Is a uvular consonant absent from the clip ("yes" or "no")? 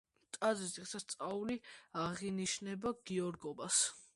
no